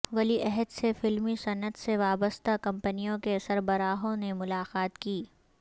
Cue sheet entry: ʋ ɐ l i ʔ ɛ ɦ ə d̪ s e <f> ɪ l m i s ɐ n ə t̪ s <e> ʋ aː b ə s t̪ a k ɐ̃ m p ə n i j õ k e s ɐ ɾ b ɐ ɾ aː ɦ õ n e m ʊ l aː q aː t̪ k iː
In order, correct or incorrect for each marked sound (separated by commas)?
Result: correct, correct